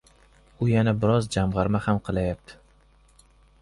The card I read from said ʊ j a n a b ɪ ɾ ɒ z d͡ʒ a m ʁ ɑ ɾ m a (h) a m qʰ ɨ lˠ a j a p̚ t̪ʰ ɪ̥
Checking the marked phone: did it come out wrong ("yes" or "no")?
no